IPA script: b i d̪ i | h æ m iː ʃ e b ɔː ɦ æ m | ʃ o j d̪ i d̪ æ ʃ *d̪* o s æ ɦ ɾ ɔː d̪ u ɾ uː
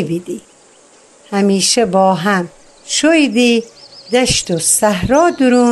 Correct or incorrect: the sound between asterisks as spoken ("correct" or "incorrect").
incorrect